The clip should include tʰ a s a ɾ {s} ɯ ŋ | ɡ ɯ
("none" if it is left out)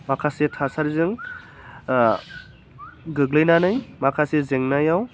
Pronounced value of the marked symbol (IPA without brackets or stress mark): z